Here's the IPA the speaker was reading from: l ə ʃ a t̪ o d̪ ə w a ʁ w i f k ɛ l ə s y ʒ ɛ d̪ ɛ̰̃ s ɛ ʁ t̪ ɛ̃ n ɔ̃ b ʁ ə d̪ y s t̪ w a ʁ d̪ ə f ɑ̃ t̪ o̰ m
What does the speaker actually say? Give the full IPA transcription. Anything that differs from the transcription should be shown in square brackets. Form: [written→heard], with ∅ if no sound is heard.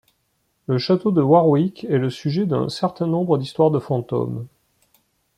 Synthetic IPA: l ə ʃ a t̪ o d̪ ə w a ʁ w i [f→∅] k ɛ l ə s y ʒ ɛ d̪ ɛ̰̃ s ɛ ʁ t̪ ɛ̃ n ɔ̃ b ʁ ə d̪ [y→i] s t̪ w a ʁ d̪ ə f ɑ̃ t̪ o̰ m